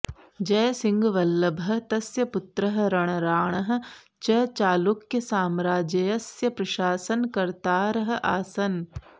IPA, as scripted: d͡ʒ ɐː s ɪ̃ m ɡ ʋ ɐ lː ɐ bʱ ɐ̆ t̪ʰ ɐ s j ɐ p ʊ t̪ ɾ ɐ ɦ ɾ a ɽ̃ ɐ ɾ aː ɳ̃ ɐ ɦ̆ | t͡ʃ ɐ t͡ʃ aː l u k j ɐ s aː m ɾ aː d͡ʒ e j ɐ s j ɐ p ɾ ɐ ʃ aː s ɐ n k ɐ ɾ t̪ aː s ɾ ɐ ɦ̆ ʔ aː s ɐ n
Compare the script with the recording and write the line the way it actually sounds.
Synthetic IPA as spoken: d͡ʒ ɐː s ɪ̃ ŋ ɡ ʋ ɐ lː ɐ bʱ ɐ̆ t̪ ɐ s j ɐ p ʊ t̪ ɾ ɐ ɦ ɾ ɐ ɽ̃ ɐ ɾ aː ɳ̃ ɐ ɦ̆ | t͡ʃ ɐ t͡ʃ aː l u k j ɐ s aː m ɾ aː d͡ʒ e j ɐ s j ɐ p ɾ ɐ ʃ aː s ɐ n k ɐ ɾ t̪ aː ɾ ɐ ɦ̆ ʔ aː s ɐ n

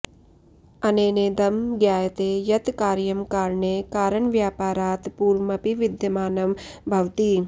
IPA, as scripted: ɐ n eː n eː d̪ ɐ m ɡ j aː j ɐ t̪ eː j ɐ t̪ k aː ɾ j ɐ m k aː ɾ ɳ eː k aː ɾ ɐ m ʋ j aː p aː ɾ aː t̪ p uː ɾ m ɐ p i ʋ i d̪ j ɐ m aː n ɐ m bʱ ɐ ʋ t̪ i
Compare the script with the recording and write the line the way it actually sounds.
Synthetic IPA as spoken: ɐ n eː n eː d̪ ɐ m ɡ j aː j ɐ t̪ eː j ɐ t̪ k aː ɾ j ɐ m k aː ɾ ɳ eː k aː ɾ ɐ ɳ ʋ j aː p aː ɾ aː t̪ p uː ɾ m ɐ p i ʋ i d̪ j ɐ m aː n ɐ m bʱ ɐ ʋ t̪ i

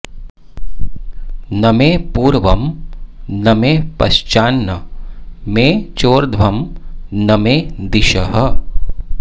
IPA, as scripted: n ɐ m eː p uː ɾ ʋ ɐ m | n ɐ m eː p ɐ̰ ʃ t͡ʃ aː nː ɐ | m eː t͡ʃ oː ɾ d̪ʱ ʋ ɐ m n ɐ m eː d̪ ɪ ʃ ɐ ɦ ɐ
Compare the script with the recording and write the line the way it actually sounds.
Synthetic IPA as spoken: n ɐ m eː p uː ɾ ʋ ɐ m | n ɐ m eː p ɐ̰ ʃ t͡ʃ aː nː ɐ | m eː t͡ʃ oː ɾ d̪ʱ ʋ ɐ m n ɐ m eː d̪ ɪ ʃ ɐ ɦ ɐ

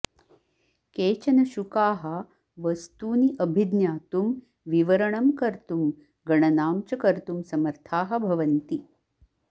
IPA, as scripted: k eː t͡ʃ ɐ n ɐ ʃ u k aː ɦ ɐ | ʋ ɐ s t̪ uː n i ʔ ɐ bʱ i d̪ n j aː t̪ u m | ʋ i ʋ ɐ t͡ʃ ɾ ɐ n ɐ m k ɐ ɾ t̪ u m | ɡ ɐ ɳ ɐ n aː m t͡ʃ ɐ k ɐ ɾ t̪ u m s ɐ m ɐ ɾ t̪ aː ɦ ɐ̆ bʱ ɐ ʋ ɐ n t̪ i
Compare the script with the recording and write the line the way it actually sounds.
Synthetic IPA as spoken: k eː t͡ʃ ɐ n ɐ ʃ u k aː ɦ ɐ | ʋ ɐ s t̪ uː n i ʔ ɐ bʱ i d̪ n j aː t̪ u m | ʋ i ʋ ɐ ɾ ɐ ɳ ɐ m k ɐ ɾ t̪ u m | ɡ ɐ ɳ ɐ n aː m t͡ʃ ɐ k ɐ ɾ t̪ u m s ɐ m ɐ ɾ t̪ʰ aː ɦ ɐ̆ bʱ ɐ ʋ ɐ n t̪ i

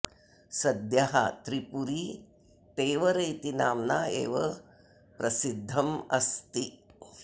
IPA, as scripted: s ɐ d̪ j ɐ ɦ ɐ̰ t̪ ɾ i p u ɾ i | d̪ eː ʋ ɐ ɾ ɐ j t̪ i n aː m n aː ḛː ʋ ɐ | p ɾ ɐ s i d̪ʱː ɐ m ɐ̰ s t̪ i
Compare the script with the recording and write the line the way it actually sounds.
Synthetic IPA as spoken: s ɐ d̪ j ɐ ɦ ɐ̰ t̪ ɾ i p u ɾ i | t̪ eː ʋ ɐ ɾ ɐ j t̪ i n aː m n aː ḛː ʋ ɐ | p ɾ ɐ s i d̪ʱː ɐ m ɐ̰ s t̪ i

